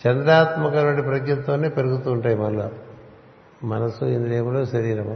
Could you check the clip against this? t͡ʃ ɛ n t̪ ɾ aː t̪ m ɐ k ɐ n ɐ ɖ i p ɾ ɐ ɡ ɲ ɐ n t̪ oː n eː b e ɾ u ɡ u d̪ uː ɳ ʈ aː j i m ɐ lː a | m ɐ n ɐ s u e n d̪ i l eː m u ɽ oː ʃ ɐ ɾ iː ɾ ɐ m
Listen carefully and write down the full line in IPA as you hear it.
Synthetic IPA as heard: t͡ʃ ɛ n d̪ ɾ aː t̪ m ɐ k ɐ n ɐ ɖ i p ɾ ɐ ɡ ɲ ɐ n t̪ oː n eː p e ɾ u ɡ u t̪ uː ɳ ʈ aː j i m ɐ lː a | m ɐ n ɐ s u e n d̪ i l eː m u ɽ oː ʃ ɐ ɾ iː ɾ ɐ m